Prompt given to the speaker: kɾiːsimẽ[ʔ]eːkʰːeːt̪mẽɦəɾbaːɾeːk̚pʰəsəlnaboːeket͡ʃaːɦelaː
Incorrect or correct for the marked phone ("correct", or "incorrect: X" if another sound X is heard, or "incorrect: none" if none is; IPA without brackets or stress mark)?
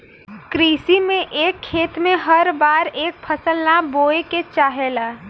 correct